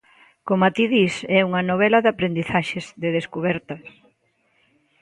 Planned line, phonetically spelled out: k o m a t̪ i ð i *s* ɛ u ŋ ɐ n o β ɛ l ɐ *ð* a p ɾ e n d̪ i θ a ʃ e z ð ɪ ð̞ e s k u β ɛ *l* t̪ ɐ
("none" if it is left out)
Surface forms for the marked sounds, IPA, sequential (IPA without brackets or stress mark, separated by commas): s, ð, ɾ